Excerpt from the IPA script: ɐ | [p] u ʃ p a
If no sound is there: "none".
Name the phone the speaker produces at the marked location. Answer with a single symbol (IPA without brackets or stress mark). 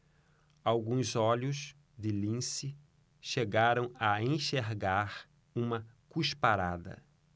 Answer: k